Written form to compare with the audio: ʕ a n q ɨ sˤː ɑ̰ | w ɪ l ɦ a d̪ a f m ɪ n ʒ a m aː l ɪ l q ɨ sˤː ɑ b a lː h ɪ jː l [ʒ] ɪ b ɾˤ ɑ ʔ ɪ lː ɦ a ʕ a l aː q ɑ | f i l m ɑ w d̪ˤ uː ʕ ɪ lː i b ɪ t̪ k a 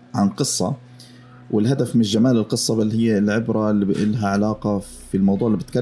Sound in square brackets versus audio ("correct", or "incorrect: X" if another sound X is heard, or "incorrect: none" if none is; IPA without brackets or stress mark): incorrect: ʕ